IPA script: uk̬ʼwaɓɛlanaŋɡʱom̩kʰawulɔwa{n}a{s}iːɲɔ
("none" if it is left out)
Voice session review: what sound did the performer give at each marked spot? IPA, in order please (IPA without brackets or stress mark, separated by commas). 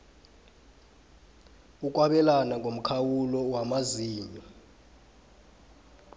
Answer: m, z